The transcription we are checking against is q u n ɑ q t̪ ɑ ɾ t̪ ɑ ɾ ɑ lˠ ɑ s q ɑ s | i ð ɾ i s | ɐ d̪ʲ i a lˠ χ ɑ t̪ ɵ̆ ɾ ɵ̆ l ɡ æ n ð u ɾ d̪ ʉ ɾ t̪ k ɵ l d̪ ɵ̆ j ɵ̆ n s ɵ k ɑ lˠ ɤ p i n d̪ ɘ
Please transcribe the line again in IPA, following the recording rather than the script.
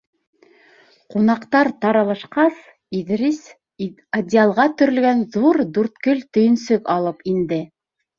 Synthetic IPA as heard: q u n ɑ q t̪ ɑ ɾ t̪ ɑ ɾ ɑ lˠ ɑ ʃ q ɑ s | i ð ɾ i s | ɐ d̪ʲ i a lˠ ʁ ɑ t̪ ɵ̆ ɾ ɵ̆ l ɡ æ n ð u ɾ d̪ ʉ ɾ t̪ k ɵ l t̪ ɵ̆ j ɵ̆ n s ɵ k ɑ lˠ ɤ p i n d̪ ɘ

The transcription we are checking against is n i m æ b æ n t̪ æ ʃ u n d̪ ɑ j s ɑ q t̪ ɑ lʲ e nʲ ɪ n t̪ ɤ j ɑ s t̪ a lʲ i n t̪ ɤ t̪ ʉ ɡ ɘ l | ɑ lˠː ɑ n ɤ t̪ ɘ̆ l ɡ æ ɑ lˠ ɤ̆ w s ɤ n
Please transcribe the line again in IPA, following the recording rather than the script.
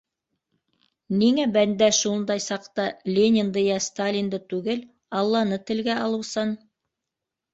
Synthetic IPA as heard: n i ŋ æ b æ n d̪ æ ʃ u n d̪ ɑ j s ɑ q t̪ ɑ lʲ e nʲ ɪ n d̪ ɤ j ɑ s t̪ a lʲ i n d̪ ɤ t̪ ʉ ɡ ɘ l | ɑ lˠː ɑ n ɤ t̪ ɘ̆ l ɡ æ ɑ lˠ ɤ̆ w s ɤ n

